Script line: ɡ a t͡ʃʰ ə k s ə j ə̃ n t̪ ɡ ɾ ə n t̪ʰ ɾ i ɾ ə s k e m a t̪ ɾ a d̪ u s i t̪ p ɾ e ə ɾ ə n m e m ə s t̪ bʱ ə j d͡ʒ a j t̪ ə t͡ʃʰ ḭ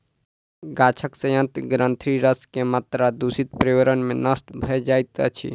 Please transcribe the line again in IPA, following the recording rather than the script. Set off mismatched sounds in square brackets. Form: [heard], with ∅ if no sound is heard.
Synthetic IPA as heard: ɡ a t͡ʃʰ ə k s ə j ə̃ n t̪ ɡ ɾ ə n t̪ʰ ɾ i ɾ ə s k e m a t̪ ɾ a d̪ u s i t̪ p ɾ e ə ɾ ə n m e [n] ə s t̪ bʱ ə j d͡ʒ a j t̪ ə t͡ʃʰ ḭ